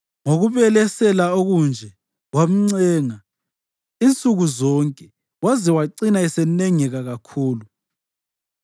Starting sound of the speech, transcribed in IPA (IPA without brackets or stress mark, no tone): ŋ